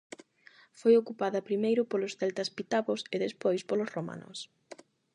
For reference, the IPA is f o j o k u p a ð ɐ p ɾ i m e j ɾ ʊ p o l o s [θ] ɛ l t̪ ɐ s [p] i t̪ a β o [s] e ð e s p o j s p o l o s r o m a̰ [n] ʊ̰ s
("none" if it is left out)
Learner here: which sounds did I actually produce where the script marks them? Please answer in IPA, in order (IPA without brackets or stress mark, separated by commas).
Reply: θ, p, s, n